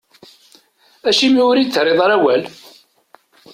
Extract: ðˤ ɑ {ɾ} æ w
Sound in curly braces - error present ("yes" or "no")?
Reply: no